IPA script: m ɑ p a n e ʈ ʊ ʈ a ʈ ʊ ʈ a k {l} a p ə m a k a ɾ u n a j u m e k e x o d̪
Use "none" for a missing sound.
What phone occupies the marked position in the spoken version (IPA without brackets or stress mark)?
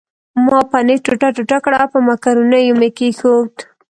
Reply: ɽ